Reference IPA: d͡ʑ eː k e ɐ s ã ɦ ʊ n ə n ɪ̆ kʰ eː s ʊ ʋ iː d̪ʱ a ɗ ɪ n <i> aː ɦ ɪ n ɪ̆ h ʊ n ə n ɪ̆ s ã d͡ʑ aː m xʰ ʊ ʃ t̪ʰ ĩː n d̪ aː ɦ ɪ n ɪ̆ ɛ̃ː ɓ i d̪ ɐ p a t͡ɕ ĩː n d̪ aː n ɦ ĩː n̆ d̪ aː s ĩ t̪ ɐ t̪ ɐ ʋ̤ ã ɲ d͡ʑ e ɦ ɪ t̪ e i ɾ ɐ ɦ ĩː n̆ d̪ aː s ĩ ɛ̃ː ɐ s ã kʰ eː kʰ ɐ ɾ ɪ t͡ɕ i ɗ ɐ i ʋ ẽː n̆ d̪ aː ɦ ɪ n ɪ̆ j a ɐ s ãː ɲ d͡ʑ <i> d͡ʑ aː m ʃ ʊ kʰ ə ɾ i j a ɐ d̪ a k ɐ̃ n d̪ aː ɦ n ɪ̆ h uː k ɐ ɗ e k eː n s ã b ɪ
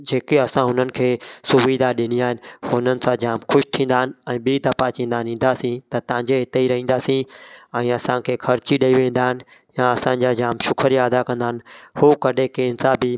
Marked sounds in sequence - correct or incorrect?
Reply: correct, incorrect: a

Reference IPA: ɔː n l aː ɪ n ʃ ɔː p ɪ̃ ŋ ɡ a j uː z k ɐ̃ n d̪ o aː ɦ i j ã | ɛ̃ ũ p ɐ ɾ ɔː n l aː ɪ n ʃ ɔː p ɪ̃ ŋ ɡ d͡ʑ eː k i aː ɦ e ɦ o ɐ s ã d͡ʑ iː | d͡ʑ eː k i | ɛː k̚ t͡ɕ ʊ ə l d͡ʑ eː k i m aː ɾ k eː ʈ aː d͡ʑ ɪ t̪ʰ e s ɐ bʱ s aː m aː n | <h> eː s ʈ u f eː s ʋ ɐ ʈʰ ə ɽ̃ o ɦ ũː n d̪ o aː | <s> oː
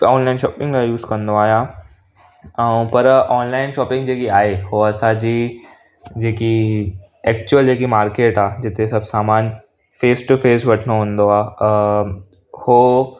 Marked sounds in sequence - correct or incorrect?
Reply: incorrect: f, incorrect: h

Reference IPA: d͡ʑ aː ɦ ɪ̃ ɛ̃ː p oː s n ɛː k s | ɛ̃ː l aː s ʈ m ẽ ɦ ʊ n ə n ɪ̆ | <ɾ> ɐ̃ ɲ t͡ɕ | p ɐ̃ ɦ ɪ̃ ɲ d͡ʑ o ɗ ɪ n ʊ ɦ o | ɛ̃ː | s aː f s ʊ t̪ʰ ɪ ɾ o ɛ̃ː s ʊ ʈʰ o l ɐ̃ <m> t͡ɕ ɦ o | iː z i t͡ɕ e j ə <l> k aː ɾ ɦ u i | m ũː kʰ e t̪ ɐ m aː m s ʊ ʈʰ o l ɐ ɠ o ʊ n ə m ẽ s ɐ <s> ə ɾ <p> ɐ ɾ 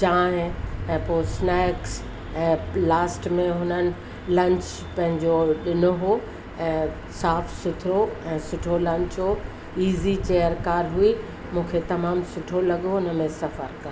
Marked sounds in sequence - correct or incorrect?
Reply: incorrect: l, incorrect: ɲ, incorrect: ɾ, incorrect: f, incorrect: k

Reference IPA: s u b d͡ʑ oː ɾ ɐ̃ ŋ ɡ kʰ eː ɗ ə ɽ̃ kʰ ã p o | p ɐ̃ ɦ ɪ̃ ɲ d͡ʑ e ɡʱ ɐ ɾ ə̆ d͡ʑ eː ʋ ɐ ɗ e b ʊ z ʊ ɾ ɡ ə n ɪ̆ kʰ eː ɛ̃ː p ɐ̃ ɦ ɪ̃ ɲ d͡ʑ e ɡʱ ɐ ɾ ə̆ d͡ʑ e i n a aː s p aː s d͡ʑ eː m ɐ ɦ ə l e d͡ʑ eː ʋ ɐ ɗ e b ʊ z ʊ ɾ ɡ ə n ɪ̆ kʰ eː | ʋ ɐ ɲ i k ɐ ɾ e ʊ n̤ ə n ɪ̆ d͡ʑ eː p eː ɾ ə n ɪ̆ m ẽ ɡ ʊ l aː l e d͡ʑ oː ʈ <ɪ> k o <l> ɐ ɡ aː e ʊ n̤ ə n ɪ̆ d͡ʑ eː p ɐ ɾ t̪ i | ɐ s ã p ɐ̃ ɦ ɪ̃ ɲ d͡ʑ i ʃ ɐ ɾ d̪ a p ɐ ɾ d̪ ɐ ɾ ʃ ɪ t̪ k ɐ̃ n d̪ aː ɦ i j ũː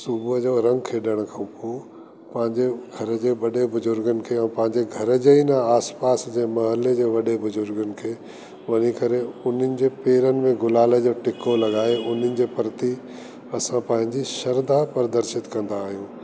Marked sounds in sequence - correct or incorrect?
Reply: correct, correct

